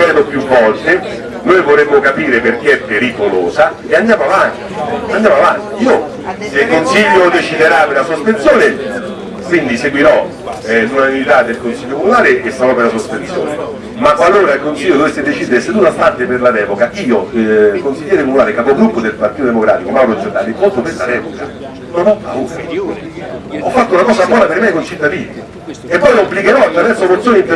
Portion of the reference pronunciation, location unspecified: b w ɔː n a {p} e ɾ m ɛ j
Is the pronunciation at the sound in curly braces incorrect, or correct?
correct